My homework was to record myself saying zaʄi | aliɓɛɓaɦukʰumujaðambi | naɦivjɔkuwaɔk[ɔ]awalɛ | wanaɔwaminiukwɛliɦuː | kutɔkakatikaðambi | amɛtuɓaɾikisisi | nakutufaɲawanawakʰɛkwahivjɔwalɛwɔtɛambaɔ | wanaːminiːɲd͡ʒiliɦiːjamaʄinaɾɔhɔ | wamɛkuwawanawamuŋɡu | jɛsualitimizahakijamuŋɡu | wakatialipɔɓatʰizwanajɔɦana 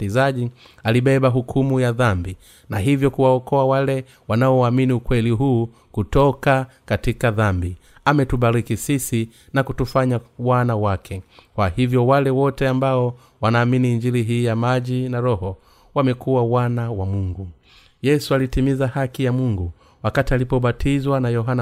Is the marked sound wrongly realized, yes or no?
no